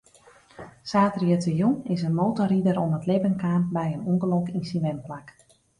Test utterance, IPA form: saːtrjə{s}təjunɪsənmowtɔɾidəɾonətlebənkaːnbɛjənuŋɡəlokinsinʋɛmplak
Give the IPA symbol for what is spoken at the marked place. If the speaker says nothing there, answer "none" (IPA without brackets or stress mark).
none